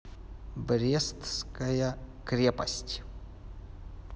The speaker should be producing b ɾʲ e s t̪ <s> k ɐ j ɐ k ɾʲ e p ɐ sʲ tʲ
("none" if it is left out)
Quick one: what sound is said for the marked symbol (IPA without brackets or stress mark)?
s